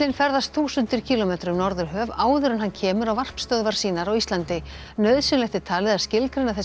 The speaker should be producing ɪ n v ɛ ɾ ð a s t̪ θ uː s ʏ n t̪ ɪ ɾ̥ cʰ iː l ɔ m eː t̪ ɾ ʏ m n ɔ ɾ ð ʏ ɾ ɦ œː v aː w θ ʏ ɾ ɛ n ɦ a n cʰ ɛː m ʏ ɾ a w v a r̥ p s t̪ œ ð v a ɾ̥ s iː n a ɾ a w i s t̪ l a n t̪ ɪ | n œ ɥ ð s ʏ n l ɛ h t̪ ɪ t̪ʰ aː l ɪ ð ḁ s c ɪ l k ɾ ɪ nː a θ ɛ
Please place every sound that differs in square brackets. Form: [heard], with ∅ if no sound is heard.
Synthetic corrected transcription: ɪ n [f] ɛ ɾ ð a s t̪ θ uː s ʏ n t̪ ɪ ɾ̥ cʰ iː l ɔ m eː t̪ ɾ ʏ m n ɔ ɾ ð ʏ ɾ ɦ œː v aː w [ð] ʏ ɾ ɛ n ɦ a n cʰ ɛː m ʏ ɾ a w v a r̥ p s t̪ œ ð v a ɾ̥ s iː n a ɾ a w i s t̪ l a n t̪ ɪ | n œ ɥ ð s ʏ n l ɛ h t̪ ɪ t̪ʰ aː l ɪ ð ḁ s c ɪ l k ɾ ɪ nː a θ ɛ

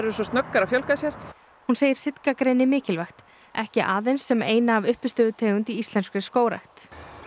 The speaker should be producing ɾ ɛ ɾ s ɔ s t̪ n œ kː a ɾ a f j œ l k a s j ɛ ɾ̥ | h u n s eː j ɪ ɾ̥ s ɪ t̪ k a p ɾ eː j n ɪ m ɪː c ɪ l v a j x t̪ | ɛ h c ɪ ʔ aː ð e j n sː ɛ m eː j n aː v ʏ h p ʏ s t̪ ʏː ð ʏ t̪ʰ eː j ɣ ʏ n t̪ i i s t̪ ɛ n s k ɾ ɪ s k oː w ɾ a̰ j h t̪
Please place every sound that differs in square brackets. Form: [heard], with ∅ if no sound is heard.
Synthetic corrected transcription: ɾ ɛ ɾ s ɔ s t̪ n œ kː a ɾ a f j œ l k a s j ɛ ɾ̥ | h u n s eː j ɪ ɾ̥ s ɪ t̪ k a [k] ɾ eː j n ɪ m ɪː c ɪ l v a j x t̪ | ɛ h c ɪ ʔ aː ð e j n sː ɛ m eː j n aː v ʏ h p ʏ s t̪ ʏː ð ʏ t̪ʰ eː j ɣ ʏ n t̪ i i s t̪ ɛ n s k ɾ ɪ s k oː w ɾ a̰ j [x] t̪

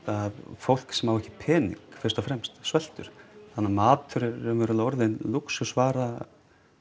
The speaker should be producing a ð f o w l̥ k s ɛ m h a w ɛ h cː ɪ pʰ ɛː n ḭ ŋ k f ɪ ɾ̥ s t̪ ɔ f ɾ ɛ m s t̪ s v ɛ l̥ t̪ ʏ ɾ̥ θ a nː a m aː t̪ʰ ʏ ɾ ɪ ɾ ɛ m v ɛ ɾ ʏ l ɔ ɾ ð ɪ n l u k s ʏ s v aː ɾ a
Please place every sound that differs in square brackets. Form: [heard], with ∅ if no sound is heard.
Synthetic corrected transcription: a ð f o w l̥ k s ɛ m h a w ɛ h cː ɪ pʰ ɛː n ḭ ŋ k f ɪ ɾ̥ s t̪ ɔ f ɾ ɛ m s t̪ s v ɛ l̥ t̪ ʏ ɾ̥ θ a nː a m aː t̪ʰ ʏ ɾ ɪ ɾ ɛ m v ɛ ɾ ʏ l ɔ ɾ ð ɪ n l u k s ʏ s v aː ɾ a

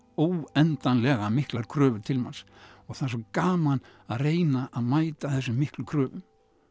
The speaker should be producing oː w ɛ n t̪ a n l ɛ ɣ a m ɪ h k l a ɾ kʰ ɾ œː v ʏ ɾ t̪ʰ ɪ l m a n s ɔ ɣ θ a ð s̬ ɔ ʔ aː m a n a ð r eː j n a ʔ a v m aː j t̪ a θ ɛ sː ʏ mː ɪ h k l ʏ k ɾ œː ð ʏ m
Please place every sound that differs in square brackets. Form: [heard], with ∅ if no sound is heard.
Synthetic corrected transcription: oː w ɛ n t̪ a n l ɛ ɣ a m ɪ h k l a ɾ kʰ ɾ œː v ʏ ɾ t̪ʰ ɪ l m a n s ɔ ɣ θ a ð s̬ ɔ [k] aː m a n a ð r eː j n a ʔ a [ð] m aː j t̪ a θ ɛ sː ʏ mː ɪ h k l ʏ [kʰ] ɾ œː [v] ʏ m

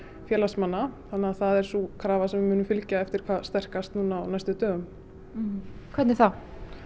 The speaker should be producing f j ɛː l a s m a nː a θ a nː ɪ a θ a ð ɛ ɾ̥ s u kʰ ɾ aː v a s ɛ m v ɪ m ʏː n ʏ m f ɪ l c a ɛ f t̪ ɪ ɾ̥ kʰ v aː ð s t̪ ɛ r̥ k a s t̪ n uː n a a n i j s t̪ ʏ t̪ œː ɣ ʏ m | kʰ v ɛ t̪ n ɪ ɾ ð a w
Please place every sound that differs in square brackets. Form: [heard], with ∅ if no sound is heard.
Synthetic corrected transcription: f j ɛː l a s m a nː a θ a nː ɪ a θ a ð ɛ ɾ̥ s u kʰ ɾ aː v a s ɛ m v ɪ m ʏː n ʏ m f ɪ l c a ɛ f t̪ ɪ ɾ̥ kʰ v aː ð s t̪ ɛ r̥ k a s t̪ n uː n a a n [a] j s t̪ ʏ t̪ œː ɣ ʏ m | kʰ v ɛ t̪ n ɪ ɾ [θ] a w

